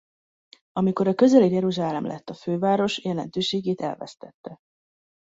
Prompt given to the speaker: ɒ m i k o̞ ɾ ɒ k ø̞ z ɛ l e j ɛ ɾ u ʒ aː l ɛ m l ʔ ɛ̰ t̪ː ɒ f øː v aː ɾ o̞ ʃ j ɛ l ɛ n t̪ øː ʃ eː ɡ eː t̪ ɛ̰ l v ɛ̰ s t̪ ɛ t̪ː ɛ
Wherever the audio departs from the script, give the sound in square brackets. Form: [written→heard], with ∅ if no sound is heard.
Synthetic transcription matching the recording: ɒ m i k o̞ ɾ ɒ k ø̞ z ɛ l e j ɛ ɾ u ʒ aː l ɛ m l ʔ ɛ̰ t̪ː ɒ f øː v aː ɾ o̞ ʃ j ɛ l ɛ n t̪ øː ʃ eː ɡ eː t̪ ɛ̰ l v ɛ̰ s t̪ ɛ t̪ː ɛ